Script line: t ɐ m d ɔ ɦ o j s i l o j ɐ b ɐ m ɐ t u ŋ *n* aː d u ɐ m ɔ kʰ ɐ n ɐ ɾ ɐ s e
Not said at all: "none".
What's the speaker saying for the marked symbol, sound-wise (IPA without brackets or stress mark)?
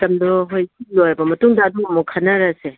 d